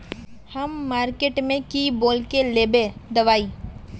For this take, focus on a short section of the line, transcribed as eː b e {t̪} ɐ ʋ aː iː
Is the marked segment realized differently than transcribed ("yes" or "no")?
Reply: yes